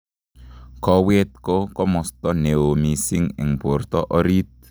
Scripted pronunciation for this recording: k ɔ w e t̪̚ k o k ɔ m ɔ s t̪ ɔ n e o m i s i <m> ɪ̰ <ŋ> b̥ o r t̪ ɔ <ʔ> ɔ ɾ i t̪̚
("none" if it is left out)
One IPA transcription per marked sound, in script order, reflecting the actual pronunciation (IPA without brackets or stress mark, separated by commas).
ŋ, ŋ, ʔ